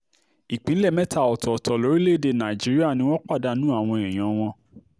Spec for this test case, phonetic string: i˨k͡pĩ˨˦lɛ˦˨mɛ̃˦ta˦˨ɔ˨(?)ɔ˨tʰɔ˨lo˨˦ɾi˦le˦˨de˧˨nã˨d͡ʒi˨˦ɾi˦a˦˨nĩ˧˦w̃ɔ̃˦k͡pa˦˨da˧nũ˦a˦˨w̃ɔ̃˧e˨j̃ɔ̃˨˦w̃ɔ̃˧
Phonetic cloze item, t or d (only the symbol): t